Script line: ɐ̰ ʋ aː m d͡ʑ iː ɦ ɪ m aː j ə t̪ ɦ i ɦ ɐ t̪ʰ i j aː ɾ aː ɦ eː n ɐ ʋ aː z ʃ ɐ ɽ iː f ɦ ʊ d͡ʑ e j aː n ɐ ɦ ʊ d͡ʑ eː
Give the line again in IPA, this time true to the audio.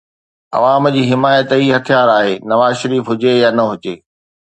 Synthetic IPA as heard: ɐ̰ ʋ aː m d͡ʑ iː ɦ ɪ m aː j ə t̪ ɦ i ɦ ɐ t̪ʰ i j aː ɾ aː ɦ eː n ɐ ʋ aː z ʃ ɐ ɾ iː f ɦ ʊ d͡ʑ e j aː n ɐ ɦ ʊ d͡ʑ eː